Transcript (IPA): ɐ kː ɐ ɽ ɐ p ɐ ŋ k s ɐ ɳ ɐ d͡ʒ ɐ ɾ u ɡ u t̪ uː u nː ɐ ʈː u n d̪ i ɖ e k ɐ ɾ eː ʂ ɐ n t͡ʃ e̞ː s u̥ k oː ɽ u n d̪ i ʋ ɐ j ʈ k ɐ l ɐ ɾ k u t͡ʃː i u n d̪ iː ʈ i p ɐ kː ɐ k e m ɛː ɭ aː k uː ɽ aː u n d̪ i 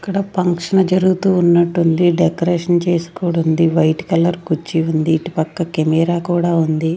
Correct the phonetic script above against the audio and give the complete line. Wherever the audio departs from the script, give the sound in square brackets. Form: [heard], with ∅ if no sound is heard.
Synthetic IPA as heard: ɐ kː ɐ ɽ ɐ p ɐ ŋ k [ʂ] ɐ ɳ ɐ d͡ʒ ɐ ɾ u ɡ u t̪ uː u nː ɐ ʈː u n d̪ i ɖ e k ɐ ɾ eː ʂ ɐ n t͡ʃ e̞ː s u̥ k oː ɽ u n d̪ i ʋ ɐ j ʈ k ɐ l ɐ ɾ k u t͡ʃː i u n d̪ iː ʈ i p ɐ kː ɐ k e m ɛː [ɾ] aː k uː ɽ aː u n d̪ i